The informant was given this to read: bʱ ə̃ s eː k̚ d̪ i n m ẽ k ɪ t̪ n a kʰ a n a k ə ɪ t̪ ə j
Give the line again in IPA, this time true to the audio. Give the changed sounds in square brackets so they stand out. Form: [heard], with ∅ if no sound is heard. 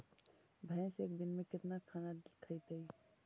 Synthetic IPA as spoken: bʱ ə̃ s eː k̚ d̪ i n m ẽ k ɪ t̪ n a kʰ a n a [kʰ] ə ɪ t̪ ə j